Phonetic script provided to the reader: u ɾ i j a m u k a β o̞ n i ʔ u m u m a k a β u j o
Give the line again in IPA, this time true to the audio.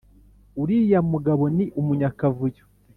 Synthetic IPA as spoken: u ɾ i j a m u ɡ a β o̞ n i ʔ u m u ɲ a k a v u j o